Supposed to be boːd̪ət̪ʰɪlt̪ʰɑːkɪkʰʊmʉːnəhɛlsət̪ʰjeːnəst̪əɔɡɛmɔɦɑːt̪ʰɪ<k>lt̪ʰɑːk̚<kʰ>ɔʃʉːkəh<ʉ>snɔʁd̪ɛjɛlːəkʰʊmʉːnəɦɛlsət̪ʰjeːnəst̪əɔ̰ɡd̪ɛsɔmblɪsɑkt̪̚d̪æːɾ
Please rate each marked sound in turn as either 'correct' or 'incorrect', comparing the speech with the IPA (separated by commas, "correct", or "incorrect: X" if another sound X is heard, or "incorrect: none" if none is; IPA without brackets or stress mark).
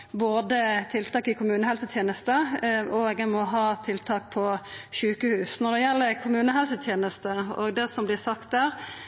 incorrect: none, incorrect: pʰ, incorrect: ʉː